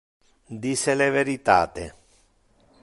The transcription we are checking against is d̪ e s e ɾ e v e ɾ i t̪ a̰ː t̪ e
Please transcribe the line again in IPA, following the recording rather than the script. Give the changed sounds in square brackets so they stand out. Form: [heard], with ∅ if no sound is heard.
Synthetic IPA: d̪ [i] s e [l] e v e ɾ i t̪ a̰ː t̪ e